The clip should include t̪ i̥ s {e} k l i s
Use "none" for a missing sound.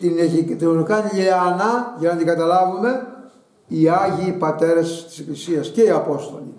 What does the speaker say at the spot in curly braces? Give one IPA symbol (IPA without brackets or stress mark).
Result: e